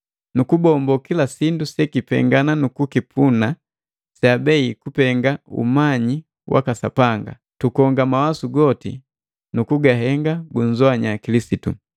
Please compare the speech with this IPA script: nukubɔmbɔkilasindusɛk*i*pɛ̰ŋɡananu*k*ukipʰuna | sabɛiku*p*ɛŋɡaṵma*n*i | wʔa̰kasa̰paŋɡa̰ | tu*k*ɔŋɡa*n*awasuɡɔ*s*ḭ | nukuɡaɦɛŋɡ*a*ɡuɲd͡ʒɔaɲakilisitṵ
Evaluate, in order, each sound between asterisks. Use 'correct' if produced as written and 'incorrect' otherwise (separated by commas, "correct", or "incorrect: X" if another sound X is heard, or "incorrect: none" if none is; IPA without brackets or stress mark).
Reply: correct, correct, correct, incorrect: ɲ, correct, incorrect: m, incorrect: t, correct